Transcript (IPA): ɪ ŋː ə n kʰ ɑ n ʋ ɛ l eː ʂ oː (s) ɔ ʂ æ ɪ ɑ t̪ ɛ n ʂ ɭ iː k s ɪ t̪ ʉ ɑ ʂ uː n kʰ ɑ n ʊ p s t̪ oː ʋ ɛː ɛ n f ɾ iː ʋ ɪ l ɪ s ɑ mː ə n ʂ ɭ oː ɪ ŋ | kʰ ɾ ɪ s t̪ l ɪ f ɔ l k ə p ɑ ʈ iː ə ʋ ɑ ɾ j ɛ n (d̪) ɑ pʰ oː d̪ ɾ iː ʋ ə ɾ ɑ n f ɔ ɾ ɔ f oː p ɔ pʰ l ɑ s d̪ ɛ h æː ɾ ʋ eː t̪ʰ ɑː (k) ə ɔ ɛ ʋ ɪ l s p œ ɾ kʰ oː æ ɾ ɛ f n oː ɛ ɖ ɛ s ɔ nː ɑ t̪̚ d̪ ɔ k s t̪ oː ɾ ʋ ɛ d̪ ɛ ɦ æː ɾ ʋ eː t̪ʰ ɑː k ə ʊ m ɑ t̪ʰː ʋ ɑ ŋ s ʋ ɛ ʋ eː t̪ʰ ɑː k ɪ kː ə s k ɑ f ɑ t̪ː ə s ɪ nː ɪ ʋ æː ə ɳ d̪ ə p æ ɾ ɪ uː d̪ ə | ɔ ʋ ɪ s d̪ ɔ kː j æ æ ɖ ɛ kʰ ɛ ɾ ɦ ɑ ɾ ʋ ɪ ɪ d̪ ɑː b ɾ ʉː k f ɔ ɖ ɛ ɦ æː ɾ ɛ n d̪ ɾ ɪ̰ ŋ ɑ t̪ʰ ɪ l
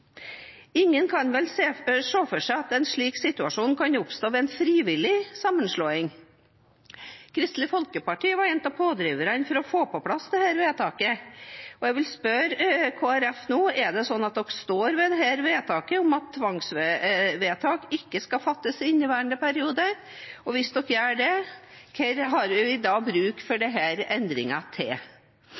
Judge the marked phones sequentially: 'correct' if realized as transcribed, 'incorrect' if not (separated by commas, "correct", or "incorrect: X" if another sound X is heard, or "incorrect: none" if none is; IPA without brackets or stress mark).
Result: incorrect: f, incorrect: t̪, correct